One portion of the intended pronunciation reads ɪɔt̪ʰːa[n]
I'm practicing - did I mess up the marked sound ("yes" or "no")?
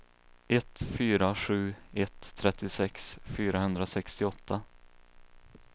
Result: yes